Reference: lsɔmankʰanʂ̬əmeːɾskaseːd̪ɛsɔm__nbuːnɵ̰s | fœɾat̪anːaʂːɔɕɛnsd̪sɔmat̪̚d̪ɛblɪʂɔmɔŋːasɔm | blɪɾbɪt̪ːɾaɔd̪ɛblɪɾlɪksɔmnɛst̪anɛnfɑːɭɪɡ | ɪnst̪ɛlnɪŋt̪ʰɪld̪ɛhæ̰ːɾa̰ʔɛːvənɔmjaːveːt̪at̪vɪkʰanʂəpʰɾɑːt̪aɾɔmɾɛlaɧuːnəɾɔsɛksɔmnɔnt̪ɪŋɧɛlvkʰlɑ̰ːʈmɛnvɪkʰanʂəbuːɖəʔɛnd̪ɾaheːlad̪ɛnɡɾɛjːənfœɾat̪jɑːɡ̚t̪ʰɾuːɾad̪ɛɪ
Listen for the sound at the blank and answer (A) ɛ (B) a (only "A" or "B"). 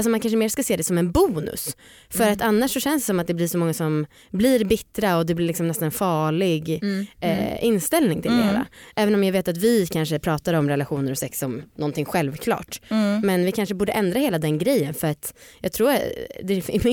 A